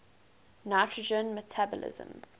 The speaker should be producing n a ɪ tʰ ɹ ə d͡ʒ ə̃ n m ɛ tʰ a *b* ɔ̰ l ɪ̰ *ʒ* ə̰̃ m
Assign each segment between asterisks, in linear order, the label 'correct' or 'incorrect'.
correct, incorrect: z

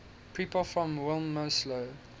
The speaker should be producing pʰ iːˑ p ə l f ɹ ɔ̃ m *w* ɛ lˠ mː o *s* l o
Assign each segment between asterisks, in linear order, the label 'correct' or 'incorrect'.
correct, correct

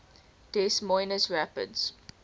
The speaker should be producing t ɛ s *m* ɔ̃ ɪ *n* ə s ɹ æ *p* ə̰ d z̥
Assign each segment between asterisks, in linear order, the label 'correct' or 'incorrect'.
correct, correct, correct

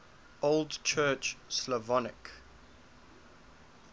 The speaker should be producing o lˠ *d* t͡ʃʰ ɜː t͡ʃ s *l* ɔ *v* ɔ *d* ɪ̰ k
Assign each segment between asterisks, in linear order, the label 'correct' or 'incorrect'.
correct, correct, correct, incorrect: n

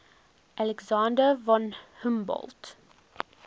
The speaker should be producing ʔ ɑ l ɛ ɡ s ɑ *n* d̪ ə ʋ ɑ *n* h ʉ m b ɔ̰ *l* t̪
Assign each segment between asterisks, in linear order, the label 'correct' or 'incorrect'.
correct, correct, correct

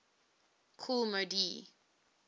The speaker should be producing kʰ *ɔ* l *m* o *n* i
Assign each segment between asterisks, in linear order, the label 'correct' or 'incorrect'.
incorrect: u, correct, incorrect: d

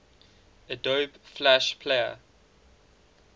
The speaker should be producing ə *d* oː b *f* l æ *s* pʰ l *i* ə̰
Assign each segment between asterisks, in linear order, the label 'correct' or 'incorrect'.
correct, correct, incorrect: ʃ, incorrect: e

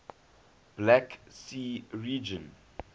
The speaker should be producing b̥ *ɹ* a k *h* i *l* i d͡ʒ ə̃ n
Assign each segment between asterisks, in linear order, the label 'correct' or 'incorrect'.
incorrect: l, incorrect: s, incorrect: ɹ

